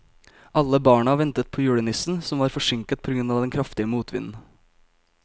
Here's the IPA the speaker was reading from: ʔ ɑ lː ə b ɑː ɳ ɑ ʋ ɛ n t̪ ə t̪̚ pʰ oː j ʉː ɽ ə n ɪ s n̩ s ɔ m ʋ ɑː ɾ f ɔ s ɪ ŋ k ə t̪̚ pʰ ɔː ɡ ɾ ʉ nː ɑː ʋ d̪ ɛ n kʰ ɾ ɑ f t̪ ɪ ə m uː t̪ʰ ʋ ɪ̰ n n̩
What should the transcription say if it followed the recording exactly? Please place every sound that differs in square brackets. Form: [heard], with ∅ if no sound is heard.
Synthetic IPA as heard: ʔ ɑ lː ə b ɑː ɳ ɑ ʋ ɛ n t̪ ə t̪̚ pʰ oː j ʉː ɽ ə n ɪ s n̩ s ɔ m ʋ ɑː ɾ f ɔ [ʂ] ɪ ŋ k ə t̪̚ pʰ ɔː ɡ ɾ ʉ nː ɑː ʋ d̪ ɛ n kʰ ɾ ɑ f t̪ ɪ ə m uː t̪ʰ ʋ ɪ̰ n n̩